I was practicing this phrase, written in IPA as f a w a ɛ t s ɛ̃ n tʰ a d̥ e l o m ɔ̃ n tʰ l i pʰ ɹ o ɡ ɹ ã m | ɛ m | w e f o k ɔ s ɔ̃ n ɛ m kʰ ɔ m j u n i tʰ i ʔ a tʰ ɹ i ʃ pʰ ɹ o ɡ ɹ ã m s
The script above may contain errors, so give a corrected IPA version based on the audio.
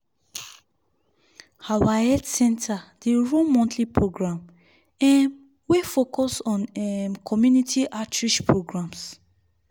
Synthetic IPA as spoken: h a w a ɛ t s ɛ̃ n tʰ a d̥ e ɹ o m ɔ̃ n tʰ l i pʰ ɹ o ɡ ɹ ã m | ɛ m | w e f o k ɔ s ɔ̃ n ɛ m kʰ ɔ m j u n i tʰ i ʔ a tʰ ɹ i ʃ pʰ ɹ o ɡ ɹ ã m s

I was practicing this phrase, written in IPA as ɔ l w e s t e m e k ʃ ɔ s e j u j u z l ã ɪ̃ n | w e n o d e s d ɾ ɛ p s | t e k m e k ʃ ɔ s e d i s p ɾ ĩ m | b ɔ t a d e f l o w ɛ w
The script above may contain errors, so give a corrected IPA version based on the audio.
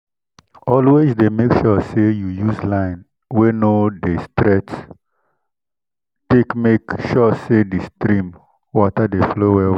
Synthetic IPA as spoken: ɔ l w e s d e m e k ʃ ɔ s e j u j u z l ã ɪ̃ n | w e n o d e s t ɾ ɛ t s | t e k m e k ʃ ɔ s e d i s t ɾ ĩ m | w ɔ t a d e f l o w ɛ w

